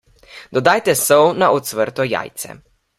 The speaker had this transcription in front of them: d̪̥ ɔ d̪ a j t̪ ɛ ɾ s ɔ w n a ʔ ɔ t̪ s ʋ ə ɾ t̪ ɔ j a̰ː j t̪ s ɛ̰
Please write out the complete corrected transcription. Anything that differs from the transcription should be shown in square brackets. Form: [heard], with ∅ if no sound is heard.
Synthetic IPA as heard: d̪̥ ɔ d̪ a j t̪ ɛ [∅] s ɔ w n a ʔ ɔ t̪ s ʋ ə ɾ t̪ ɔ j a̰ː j t̪ s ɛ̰